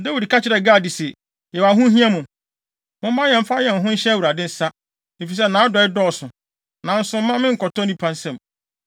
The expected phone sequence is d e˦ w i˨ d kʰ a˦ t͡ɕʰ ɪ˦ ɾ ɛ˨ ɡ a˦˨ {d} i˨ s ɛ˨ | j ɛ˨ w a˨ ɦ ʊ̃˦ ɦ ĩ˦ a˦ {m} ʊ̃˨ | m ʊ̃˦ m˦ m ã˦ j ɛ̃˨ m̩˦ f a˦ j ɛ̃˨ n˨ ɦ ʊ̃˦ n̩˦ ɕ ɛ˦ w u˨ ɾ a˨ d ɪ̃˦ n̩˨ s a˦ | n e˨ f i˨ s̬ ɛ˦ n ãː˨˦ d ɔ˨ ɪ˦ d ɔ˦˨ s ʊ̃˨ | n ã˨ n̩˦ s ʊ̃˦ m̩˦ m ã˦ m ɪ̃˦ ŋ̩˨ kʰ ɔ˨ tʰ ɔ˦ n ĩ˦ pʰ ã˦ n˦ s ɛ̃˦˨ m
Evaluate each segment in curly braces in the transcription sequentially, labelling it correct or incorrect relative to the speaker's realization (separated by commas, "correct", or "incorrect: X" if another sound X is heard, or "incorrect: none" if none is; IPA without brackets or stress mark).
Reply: correct, correct